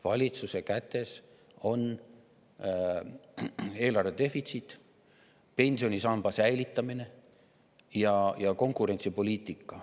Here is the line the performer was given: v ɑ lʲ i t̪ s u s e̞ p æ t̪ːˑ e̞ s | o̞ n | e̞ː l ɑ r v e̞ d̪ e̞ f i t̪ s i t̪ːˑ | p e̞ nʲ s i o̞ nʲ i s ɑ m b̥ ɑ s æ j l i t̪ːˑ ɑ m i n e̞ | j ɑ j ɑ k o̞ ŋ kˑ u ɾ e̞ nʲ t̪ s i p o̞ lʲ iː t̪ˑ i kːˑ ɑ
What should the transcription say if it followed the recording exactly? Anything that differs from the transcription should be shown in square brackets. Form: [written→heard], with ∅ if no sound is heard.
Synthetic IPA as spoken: v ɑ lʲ i t̪ s u s e̞ [p→k] æ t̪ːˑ e̞ s | o̞ n | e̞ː l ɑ r v e̞ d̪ e̞ f i t̪ s i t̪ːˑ | p e̞ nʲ s i o̞ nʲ i s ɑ m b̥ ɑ s æ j l i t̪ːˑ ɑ m i n e̞ | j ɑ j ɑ k o̞ ŋ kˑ u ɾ e̞ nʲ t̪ s i p o̞ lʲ iː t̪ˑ i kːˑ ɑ